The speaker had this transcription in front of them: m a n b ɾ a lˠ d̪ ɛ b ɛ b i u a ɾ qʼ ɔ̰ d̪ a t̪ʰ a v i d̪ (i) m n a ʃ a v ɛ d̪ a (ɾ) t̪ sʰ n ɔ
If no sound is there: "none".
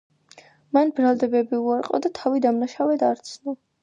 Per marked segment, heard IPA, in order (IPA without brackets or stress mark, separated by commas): a, ɾ